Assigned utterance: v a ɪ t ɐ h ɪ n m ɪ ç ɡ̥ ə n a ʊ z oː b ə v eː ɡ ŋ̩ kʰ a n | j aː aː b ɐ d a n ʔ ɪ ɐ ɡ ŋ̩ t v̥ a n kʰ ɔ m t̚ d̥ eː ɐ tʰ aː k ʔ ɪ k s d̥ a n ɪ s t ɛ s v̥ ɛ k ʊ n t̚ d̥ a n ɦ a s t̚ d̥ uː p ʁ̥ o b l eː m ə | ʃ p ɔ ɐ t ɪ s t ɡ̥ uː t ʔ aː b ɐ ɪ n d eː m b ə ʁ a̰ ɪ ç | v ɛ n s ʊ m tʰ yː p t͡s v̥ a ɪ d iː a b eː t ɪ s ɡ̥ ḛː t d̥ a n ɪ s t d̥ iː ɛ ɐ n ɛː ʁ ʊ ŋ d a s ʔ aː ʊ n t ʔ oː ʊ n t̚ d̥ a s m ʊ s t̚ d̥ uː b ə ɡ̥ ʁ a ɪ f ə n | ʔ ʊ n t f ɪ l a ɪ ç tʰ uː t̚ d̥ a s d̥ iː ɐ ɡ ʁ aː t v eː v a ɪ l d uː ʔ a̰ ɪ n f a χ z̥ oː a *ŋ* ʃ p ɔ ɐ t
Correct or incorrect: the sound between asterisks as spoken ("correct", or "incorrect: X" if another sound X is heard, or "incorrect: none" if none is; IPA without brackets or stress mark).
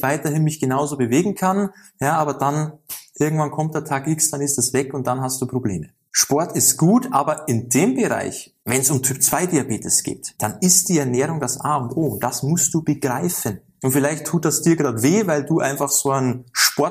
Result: incorrect: n